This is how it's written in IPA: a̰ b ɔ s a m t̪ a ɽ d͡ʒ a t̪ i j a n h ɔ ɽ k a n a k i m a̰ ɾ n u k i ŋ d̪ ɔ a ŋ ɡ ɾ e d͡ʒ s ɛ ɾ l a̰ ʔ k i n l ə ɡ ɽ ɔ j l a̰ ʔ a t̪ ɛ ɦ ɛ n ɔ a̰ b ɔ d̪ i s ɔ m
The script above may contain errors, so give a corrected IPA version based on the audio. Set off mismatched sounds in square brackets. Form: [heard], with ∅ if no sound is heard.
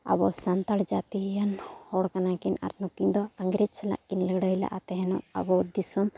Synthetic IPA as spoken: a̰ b ɔ s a [n] t̪ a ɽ d͡ʒ a t̪ i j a n h ɔ ɽ k a n a k i [n] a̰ ɾ n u k i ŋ d̪ ɔ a ŋ ɡ ɾ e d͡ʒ s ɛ [∅] l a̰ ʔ k i n l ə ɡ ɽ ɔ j l a̰ ʔ a t̪ ɛ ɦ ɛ n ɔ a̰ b ɔ d̪ i s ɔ m